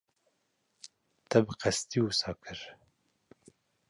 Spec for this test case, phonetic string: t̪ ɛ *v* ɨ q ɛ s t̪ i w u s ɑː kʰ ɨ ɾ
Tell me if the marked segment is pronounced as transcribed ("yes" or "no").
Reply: no